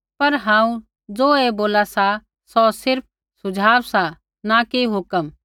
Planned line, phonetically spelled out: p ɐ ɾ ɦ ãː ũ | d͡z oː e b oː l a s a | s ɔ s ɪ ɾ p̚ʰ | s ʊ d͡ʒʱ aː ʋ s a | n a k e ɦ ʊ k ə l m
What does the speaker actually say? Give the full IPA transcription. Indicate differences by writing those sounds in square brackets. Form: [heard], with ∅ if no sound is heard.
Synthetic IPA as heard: p ɐ ɾ ɦ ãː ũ | d͡z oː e b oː l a s a | s ɔ s ɪ ɾ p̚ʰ | s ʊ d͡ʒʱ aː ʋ s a | n a k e ɦ ʊ k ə [∅] m